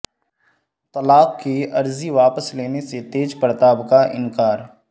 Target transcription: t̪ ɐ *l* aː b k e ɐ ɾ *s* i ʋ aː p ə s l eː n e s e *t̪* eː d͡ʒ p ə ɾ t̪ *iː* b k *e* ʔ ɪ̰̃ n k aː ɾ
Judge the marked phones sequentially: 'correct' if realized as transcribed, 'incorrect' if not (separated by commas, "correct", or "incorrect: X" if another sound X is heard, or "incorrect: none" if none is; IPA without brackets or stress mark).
correct, incorrect: z, correct, incorrect: aː, incorrect: a